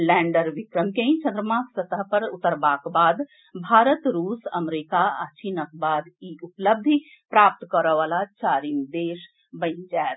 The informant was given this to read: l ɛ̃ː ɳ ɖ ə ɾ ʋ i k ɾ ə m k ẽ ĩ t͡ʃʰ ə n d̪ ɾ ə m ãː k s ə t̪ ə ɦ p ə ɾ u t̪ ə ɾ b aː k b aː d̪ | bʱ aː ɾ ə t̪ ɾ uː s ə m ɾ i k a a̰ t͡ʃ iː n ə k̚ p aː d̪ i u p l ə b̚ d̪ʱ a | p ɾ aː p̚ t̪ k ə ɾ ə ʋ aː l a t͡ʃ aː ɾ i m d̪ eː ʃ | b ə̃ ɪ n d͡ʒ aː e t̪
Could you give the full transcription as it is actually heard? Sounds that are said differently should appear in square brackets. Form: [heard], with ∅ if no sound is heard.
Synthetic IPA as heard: l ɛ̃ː ɳ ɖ ə ɾ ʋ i k ɾ ə m k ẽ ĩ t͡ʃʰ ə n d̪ ɾ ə m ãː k s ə t̪ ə ɦ p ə ɾ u t̪ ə ɾ b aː k b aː d̪ | bʱ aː ɾ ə t̪ ɾ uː s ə m ɾ i k a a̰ t͡ʃ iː n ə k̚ [b] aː d̪ i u p l ə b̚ d̪ʱ [i] | p ɾ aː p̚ t̪ k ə ɾ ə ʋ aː l a t͡ʃ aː ɾ i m d̪ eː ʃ | b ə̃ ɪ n d͡ʒ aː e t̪